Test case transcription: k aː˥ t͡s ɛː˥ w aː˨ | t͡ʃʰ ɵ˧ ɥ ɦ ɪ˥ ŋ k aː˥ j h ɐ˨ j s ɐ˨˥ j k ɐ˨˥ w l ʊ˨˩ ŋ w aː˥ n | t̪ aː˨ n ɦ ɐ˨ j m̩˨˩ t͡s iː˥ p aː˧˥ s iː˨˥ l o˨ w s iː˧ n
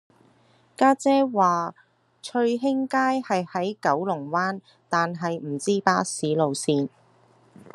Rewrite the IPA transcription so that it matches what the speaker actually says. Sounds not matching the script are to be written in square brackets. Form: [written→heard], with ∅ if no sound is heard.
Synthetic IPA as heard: k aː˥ t͡s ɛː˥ w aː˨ | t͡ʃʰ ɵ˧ ɥ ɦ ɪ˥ ŋ k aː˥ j h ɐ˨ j [s→h] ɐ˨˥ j k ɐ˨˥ w l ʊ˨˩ ŋ w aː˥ n | t̪ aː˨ n ɦ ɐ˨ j m̩˨˩ t͡s iː˥ p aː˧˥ s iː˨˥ l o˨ w s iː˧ n